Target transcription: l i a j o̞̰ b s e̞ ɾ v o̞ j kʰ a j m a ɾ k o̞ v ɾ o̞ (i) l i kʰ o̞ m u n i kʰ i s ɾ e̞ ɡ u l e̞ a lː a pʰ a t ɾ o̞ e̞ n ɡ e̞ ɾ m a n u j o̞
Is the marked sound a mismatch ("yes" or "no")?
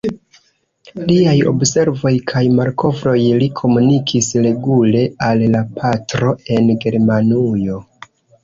yes